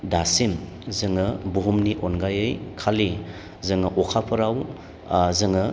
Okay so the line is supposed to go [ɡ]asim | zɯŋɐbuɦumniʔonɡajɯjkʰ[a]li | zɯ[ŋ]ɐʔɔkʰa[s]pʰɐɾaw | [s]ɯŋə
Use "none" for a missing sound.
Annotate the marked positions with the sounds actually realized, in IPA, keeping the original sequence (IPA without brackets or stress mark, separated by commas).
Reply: d, a, ŋ, none, z